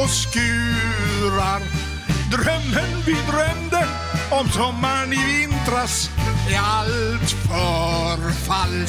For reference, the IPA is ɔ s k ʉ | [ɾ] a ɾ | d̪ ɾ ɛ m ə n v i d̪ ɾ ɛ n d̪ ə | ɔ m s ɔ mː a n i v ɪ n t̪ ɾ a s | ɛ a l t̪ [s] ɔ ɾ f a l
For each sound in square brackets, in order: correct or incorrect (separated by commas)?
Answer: correct, incorrect